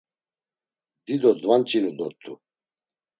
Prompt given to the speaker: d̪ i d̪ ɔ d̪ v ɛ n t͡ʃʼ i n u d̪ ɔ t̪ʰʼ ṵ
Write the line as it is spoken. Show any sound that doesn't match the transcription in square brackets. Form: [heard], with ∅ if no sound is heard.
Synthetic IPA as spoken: d̪ i d̪ ɔ d̪ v [a] n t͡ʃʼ i n u d̪ ɔ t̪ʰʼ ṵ